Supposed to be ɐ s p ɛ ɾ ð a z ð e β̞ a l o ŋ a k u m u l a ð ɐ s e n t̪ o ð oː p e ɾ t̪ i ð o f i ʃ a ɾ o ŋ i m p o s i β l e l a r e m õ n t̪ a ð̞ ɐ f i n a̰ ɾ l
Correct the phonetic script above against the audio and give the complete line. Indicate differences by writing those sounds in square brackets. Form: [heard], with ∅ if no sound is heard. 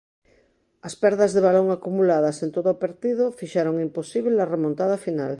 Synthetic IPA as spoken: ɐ s p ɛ ɾ ð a z ð e β̞ a l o ŋ a k u m u l a ð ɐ s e n t̪ o ð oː p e ɾ t̪ i ð o f i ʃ a ɾ o ŋ i m p o s i β l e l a r e m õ n t̪ a ð̞ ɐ f i n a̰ [∅] l

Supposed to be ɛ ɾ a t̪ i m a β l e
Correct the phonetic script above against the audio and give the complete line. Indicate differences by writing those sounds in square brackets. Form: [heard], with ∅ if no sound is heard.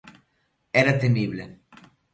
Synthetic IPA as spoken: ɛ ɾ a t̪ [e] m [i] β l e

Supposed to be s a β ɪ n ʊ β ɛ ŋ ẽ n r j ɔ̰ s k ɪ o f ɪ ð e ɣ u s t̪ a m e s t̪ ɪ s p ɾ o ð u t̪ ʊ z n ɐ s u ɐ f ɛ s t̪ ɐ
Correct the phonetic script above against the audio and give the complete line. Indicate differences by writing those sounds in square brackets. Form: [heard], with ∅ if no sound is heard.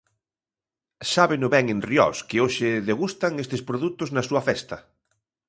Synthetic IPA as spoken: s a β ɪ n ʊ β ɛ ŋ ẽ n r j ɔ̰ s k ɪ o [ʃ] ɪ ð e ɣ u s t̪ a [ŋ] e s t̪ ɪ s p ɾ o ð u t̪ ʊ z n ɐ s u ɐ f ɛ s t̪ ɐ

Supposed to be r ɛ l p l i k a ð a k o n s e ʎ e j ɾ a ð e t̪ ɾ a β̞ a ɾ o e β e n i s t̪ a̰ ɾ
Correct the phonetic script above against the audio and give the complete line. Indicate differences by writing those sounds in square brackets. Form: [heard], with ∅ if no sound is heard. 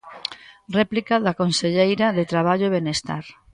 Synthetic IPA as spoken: r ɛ [∅] p l i k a ð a k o n s e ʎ e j ɾ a ð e t̪ ɾ a β̞ a [ʎ] o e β e n [e] s t̪ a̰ ɾ

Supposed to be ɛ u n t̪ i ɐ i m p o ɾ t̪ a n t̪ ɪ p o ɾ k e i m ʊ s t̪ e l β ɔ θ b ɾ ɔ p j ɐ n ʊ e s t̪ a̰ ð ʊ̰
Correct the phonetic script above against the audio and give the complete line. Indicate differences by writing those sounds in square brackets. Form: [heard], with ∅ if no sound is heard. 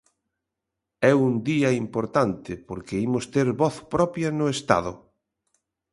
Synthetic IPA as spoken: ɛ u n [d̪] i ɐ i m p o ɾ t̪ a n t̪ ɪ p o ɾ k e i m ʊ s t̪ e [ɾ] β ɔ θ [p] ɾ ɔ p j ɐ n ʊ e s t̪ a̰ ð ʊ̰

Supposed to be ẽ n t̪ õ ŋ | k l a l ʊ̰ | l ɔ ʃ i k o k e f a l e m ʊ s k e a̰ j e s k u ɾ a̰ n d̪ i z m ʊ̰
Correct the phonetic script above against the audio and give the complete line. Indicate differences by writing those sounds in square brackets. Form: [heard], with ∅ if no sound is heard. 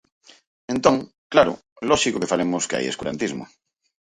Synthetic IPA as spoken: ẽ n t̪ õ ŋ | k l a [ɾ] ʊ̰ | l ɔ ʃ i k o k e f a l e m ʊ s k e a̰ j e s k u ɾ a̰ n [t̪] i z m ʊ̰

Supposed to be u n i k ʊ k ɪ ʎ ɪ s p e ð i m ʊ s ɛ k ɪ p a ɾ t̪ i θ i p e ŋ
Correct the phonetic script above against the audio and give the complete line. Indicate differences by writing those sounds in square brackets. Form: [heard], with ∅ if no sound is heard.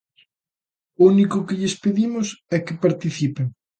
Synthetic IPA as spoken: u n i k ʊ k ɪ ʎ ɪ s p e ð i m ʊ s ɛ k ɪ p a ɾ t̪ i θ i p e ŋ

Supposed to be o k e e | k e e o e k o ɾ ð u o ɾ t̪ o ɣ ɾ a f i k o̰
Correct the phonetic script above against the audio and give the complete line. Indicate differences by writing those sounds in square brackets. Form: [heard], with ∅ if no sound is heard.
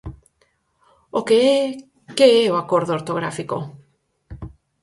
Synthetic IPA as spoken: o k e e | k e e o [a] k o ɾ ð [o] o ɾ t̪ o ɣ ɾ a f i k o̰

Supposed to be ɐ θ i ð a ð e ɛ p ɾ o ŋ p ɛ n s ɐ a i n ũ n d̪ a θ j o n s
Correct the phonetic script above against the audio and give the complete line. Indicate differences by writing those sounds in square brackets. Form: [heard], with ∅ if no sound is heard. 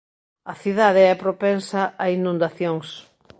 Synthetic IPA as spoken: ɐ θ i ð a ð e ɛ p ɾ o [∅] p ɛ n s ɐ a i n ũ n d̪ a θ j o [ŋ] s

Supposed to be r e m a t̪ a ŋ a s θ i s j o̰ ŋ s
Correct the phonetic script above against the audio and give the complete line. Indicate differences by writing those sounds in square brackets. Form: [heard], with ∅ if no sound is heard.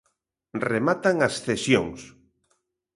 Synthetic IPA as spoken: r e m a t̪ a ŋ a s θ [e] s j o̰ ŋ s

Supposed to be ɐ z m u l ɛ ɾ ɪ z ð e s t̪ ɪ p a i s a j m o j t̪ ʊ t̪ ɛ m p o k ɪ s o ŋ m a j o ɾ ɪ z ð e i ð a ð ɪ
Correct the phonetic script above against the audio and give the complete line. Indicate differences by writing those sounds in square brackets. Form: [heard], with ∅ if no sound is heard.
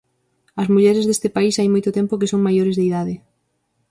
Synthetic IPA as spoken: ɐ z m u [ʎ] ɛ ɾ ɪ z ð e s t̪ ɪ p a i s a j m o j t̪ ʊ t̪ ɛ m p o k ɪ s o ŋ m a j o ɾ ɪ z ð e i ð a ð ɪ

